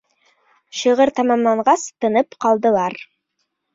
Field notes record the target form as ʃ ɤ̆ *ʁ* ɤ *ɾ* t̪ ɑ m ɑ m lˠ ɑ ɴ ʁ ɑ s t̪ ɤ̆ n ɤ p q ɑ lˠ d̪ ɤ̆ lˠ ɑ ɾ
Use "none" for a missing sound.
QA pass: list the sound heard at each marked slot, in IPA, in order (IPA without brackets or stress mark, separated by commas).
ʁ, ɾ